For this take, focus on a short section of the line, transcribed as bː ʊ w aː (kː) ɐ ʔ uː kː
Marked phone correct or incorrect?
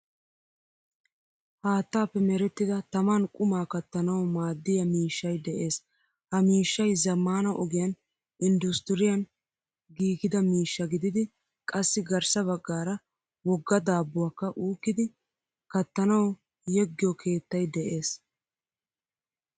correct